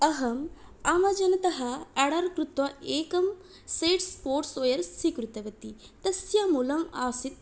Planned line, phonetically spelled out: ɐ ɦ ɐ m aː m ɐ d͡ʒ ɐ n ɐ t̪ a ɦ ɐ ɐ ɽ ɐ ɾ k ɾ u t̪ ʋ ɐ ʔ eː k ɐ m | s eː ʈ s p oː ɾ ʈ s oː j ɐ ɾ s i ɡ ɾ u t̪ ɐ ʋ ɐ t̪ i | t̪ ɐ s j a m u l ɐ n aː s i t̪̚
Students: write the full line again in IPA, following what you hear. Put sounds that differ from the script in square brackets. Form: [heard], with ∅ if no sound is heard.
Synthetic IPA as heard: ɐ ɦ ɐ m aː m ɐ d͡ʒ ɐ n ɐ t̪ [ɐ] ɦ ɐ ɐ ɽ ɐ ɾ k ɾ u t̪ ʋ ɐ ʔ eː k ɐ m | s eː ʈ s p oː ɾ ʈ s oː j ɐ ɾ s i [k] ɾ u t̪ ɐ ʋ ɐ t̪ i | t̪ ɐ s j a m u l ɐ [m] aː s i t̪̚